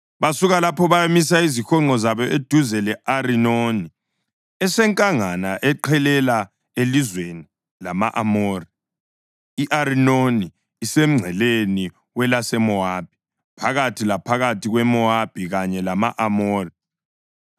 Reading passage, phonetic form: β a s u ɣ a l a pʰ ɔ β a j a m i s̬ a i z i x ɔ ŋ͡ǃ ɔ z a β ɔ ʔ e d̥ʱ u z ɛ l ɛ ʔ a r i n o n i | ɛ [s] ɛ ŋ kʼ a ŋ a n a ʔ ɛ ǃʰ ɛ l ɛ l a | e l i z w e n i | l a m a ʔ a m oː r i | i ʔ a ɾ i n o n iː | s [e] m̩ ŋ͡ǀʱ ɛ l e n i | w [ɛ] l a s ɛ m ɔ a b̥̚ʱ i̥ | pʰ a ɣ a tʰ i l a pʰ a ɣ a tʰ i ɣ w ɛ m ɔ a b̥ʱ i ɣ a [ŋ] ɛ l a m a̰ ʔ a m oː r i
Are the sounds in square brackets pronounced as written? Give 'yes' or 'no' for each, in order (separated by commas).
yes, yes, yes, no